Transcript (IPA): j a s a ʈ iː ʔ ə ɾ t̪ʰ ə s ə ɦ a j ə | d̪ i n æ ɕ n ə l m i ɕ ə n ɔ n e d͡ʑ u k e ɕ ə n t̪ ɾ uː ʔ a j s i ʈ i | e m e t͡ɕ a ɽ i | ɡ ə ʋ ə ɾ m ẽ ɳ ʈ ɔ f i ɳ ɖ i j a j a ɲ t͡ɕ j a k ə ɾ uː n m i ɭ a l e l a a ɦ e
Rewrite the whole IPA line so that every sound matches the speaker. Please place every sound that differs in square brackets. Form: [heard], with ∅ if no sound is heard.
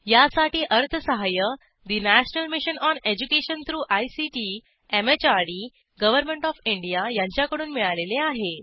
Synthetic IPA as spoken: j a s a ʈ iː ʔ ə ɾ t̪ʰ ə s ə ɦ a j ə | d̪ i n æ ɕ n ə l m i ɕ ə n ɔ n e d͡ʑ u k e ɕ ə n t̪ ɾ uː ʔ a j s i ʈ i | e m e t͡ɕ a ɽ i | ɡ ə ʋ ə ɾ m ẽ ɳ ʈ ɔ f i ɳ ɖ i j a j a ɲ t͡ɕ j a k ə [ɽ] uː n m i ɭ a l e l [e] a ɦ e